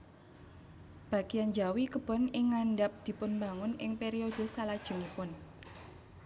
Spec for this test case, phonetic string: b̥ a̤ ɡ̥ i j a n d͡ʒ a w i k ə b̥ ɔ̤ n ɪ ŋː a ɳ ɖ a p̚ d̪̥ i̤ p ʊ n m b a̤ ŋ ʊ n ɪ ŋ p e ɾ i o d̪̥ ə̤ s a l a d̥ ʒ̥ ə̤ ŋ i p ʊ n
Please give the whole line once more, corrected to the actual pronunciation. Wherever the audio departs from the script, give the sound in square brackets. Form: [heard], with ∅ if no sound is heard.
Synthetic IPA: b̥ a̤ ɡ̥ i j a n d͡ʒ a w i k ə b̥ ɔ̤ n ɪ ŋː a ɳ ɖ a p̚ d̪̥ i̤ p ʊ n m b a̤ ŋ ʊ n ɪ ŋ p e ɾ i o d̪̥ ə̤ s a l a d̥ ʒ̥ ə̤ ŋ i p ʊ n